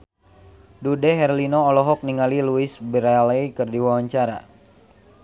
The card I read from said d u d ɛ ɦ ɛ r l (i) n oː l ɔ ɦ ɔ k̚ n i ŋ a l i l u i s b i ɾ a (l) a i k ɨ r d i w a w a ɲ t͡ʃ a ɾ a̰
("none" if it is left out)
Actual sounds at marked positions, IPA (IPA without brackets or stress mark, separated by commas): i, l